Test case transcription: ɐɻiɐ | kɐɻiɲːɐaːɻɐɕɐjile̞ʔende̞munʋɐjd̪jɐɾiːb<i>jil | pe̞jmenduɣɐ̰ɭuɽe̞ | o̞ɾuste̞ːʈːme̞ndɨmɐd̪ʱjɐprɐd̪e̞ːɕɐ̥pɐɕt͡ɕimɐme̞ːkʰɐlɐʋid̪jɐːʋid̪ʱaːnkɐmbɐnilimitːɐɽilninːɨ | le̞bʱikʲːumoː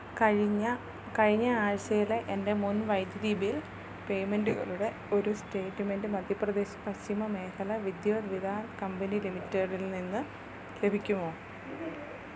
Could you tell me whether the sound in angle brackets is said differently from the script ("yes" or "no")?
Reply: no